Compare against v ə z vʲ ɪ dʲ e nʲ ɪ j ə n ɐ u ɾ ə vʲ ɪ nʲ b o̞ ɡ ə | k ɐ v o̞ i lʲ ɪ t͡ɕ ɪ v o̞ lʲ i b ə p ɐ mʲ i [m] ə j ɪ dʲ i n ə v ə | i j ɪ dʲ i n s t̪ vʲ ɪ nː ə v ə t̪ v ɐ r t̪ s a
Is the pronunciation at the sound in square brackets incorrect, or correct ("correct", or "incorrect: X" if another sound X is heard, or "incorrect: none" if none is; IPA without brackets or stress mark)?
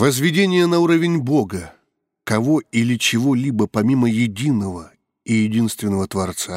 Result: correct